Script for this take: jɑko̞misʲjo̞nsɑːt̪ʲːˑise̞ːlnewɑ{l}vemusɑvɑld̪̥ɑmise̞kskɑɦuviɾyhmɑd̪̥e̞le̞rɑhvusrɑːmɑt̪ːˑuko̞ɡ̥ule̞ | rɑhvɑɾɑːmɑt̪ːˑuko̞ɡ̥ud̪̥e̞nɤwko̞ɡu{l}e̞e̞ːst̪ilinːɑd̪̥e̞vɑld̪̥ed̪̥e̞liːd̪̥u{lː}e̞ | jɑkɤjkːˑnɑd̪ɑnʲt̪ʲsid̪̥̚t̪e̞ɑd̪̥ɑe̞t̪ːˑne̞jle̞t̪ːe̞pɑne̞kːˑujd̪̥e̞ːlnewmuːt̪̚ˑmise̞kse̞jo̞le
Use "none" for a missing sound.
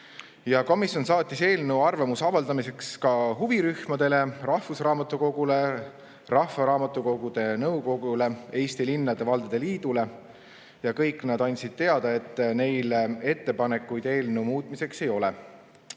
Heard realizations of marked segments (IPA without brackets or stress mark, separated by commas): r, l, l